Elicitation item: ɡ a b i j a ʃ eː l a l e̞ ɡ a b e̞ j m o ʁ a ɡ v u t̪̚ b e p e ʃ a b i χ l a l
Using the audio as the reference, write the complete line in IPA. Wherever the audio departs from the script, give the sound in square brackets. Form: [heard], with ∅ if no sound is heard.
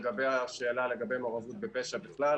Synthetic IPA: ɡ a b [e] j a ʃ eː l a l e̞ ɡ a b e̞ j m o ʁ a [∅] v u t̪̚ b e p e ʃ a b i χ l a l

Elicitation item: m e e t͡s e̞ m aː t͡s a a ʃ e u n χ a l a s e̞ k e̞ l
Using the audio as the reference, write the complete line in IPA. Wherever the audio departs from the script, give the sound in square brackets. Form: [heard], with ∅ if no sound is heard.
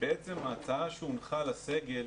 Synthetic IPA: [b] e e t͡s e̞ m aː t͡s a a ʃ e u n χ a l a s e̞ [ɡ] e̞ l

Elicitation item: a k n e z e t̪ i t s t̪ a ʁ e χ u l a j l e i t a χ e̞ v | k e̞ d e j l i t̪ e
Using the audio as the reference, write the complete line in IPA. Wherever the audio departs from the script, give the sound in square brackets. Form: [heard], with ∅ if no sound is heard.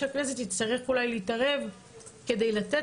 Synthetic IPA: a k n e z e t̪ i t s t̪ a ʁ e χ u l a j l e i t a [ʁ] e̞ v | k e̞ d e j l [a] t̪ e

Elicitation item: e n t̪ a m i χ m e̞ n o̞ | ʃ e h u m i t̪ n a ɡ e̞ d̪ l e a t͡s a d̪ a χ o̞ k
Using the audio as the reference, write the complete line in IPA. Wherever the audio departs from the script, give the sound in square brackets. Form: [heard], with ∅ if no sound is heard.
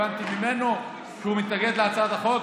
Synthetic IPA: [a] n t̪ [i] m i [∅] m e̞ n o̞ | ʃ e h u m i t̪ n a ɡ e̞ d̪ l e a t͡s a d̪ a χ o̞ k

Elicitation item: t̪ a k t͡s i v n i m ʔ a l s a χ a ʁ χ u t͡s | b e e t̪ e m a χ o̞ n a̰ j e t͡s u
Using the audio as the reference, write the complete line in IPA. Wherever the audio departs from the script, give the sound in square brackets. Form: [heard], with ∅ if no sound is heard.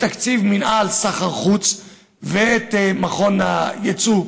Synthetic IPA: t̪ a k t͡s i v [m] i [n] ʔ a l s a χ a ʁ χ u t͡s | [v] e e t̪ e m a χ o̞ n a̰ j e t͡s u

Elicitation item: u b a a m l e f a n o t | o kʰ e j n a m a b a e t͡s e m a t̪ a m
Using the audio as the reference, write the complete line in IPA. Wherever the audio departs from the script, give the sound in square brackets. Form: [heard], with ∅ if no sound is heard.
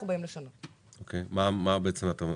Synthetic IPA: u b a [i] m l e [ʃ] a n o t | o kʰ e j [m] a m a b [e] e t͡s e m a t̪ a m

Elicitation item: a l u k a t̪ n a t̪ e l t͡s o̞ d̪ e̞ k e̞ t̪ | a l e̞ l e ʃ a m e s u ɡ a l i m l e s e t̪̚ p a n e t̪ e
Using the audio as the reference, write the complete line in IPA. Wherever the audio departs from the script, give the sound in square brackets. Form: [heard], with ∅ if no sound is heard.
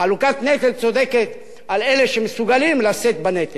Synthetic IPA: a l u k a t̪ n [e] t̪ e l t͡s o̞ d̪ e̞ k e̞ t̪ | a l e̞ l e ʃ [e] m e s u ɡ a l i m l [a] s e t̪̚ [b] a n e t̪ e

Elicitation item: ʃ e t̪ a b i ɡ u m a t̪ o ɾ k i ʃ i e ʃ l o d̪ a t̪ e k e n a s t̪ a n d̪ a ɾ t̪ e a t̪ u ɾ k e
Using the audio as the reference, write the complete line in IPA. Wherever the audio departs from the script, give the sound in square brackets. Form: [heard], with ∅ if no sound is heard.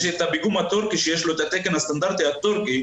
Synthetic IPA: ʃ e t̪ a b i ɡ u m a t̪ o ɾ k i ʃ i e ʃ l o [t̪] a t̪ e k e n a s t̪ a n d̪ a ɾ t̪ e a t̪ [o] ɾ k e

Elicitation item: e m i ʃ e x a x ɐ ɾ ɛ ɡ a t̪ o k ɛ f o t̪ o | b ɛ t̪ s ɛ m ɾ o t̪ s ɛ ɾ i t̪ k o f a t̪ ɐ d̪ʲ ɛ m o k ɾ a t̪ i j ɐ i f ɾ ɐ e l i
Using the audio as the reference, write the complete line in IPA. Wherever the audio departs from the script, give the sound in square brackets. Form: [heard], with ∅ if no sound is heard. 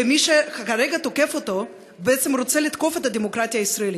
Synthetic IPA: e m i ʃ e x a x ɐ ɾ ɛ ɡ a t̪ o k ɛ f o t̪ o | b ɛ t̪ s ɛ m ɾ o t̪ s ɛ [l] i t̪ k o f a t̪ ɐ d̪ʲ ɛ m o k ɾ a t̪ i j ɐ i [s] ɾ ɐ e l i

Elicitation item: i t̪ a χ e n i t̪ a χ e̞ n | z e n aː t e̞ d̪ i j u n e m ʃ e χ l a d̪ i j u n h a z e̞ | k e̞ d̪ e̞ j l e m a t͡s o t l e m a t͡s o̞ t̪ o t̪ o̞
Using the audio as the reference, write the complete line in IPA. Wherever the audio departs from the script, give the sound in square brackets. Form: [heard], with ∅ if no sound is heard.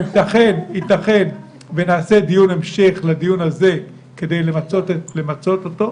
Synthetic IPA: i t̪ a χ e n i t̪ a χ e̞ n | [v] e n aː [s] e̞ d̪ i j u n e m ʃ e χ l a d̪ i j u n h a z e̞ | k e̞ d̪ e̞ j l e m a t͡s o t l e m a t͡s o̞ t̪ o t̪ o̞

